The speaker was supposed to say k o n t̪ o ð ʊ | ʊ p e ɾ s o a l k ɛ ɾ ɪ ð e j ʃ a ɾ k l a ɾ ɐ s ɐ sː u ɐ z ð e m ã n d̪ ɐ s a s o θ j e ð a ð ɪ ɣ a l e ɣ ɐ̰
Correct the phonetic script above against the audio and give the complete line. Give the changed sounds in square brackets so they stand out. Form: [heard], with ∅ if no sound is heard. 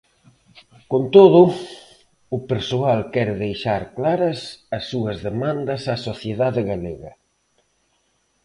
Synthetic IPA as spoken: k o n t̪ o ð ʊ | ʊ p e ɾ s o a l k ɛ ɾ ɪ ð e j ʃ a ɾ k l a ɾ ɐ s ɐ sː u ɐ z ð e m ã n d̪ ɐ s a s o θ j e ð a ð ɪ ɣ a l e ɣ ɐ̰